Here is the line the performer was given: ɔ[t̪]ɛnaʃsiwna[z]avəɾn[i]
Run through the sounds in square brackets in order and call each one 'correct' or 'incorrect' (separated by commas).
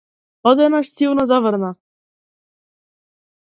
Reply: incorrect, correct, incorrect